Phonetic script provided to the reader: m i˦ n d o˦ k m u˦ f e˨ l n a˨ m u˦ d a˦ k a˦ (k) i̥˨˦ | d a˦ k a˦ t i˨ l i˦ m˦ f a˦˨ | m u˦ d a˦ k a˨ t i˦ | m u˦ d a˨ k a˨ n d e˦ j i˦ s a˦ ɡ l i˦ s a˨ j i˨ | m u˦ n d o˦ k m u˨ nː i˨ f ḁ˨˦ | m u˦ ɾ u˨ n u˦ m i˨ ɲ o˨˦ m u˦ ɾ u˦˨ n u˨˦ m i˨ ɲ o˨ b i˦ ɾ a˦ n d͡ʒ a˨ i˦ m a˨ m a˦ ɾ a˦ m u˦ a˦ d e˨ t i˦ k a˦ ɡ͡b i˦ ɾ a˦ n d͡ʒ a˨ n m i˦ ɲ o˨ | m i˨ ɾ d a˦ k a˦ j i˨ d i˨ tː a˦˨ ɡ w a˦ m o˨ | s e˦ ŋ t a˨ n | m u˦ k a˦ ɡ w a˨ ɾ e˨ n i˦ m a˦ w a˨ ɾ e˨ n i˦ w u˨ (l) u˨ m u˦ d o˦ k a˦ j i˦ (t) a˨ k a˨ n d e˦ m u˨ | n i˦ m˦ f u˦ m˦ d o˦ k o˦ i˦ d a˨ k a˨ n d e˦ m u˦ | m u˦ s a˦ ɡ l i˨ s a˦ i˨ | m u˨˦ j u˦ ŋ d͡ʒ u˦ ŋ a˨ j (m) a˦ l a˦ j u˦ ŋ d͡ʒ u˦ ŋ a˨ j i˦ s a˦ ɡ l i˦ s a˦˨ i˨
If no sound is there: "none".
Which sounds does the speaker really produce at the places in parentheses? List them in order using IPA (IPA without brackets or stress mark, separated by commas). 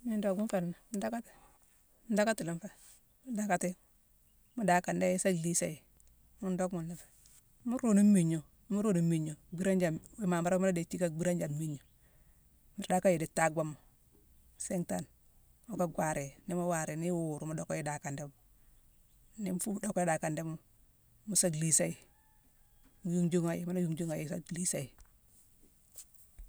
t, ɾ, d, m